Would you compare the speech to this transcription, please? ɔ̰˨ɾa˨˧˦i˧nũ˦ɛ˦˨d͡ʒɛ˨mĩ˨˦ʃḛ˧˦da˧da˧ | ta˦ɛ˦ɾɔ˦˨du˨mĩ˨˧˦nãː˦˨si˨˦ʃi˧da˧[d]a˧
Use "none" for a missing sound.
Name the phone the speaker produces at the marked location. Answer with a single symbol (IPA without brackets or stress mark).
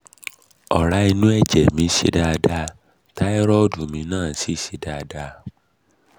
d